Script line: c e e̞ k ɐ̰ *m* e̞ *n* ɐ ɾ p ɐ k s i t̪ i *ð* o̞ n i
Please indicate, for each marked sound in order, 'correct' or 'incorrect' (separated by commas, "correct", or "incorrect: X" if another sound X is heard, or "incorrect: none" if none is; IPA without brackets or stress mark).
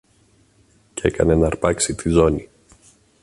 incorrect: n, correct, incorrect: z